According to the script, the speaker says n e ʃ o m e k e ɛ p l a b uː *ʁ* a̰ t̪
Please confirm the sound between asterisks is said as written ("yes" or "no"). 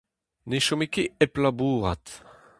yes